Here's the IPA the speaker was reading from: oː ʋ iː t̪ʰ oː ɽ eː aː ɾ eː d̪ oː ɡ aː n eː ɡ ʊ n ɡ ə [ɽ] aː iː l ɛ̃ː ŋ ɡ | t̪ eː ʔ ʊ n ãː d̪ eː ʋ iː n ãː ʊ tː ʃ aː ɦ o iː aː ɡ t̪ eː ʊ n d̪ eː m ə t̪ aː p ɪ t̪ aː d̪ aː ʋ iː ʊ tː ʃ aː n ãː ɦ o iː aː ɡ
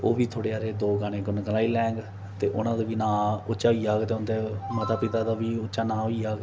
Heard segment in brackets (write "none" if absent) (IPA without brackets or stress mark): l